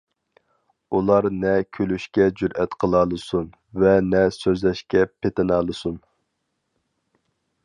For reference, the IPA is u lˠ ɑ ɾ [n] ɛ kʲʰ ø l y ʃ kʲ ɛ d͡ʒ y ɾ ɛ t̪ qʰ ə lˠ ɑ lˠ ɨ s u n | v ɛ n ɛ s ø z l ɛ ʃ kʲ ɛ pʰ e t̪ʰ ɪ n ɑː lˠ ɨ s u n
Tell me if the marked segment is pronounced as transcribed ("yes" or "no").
yes